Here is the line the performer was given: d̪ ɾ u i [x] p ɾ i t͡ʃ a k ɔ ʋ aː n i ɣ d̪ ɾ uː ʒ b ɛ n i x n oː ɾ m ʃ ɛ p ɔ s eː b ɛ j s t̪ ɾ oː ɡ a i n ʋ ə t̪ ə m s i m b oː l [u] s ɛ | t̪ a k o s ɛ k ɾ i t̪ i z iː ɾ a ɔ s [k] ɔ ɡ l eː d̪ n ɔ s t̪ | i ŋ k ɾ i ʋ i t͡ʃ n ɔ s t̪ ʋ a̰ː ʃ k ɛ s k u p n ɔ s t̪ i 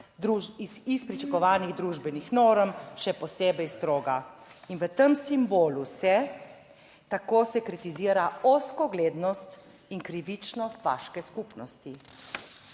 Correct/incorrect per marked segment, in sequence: incorrect: s, correct, correct

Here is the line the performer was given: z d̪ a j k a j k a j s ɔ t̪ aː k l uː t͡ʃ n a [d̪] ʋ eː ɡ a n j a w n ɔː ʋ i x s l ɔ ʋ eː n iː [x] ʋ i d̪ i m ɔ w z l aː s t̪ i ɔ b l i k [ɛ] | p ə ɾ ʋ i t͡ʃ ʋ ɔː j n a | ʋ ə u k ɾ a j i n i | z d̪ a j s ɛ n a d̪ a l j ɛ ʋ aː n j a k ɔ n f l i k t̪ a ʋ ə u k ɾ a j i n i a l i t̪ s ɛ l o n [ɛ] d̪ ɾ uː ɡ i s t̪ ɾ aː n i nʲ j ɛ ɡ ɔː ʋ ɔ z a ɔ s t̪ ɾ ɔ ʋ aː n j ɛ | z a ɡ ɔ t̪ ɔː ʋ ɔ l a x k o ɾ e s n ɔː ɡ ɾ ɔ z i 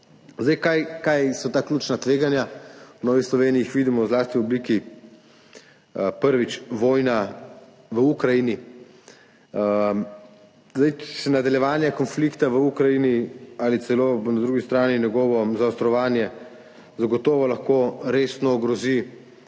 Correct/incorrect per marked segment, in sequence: incorrect: t̪, correct, incorrect: i, incorrect: a

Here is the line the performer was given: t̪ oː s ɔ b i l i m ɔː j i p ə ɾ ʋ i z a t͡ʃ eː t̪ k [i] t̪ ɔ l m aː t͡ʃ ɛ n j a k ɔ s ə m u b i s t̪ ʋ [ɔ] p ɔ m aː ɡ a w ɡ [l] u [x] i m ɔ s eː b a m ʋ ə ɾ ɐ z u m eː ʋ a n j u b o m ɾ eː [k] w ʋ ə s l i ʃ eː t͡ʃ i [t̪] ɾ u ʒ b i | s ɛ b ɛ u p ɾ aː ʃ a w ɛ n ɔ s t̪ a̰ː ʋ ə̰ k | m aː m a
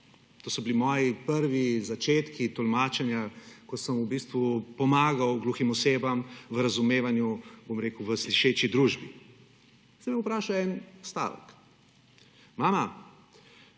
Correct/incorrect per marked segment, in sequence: correct, incorrect: u, correct, correct, correct, incorrect: d̪

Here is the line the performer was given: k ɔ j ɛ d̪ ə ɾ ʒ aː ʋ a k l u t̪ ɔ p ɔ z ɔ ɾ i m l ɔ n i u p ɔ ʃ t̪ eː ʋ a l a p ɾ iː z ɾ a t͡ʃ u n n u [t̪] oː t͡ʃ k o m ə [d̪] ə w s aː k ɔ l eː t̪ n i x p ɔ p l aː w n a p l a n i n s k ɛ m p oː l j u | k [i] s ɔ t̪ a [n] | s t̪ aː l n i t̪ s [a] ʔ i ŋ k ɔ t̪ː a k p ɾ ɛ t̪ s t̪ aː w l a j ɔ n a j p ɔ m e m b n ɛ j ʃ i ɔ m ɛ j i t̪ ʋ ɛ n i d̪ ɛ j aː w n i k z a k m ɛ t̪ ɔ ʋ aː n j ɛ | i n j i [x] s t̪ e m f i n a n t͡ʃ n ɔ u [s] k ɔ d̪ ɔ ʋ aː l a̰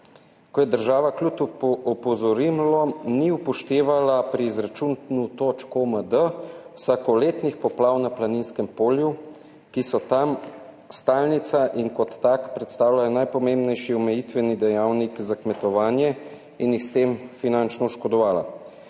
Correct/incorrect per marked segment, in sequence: correct, correct, correct, incorrect: m, correct, correct, incorrect: ʃ

